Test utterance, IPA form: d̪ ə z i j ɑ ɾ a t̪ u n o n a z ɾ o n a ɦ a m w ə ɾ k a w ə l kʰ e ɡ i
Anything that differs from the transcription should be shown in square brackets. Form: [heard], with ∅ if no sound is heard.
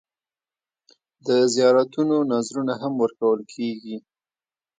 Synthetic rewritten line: d̪ ə z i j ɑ ɾ a t̪ u n o n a z ɾ [u] n a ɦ a m w ə ɾ k a w ə l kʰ e ɡ i